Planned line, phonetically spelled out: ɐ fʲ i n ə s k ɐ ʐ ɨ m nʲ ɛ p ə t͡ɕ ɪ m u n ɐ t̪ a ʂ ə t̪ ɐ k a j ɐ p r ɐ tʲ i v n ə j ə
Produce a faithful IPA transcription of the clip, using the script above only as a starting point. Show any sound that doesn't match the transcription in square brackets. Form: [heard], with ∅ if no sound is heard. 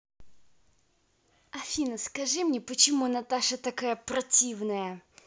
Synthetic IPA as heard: ɐ fʲ i n ə s k ɐ ʐ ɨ m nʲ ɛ p ə t͡ɕ ɪ m u n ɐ t̪ a ʂ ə t̪ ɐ k a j [ə] p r ɐ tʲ i v n ə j ə